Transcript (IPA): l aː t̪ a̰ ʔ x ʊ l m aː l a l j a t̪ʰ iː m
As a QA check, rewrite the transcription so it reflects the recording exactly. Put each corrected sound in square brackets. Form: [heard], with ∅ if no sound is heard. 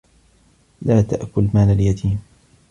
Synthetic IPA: l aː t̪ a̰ ʔ [k] ʊ l m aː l a l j a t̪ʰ iː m